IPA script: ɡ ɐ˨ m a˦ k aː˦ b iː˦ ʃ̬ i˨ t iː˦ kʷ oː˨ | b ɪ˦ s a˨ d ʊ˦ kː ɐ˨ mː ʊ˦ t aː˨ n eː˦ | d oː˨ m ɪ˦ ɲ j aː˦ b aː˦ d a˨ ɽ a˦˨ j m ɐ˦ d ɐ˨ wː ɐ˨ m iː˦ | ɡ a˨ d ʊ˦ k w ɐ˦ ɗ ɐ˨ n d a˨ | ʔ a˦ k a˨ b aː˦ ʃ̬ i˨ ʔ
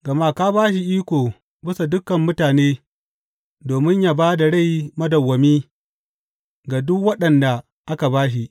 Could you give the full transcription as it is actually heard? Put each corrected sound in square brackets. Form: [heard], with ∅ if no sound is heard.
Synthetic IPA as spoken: ɡ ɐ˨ m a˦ k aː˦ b [aː˦] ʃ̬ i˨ [ʔ] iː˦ kʷ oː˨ | b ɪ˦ s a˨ d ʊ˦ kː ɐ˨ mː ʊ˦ t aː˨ n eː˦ | d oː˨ m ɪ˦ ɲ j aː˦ b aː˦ d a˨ ɽ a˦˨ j m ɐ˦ d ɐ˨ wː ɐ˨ m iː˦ | ɡ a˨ d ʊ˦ k w ɐ˦ ɗ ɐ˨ n d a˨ | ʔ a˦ k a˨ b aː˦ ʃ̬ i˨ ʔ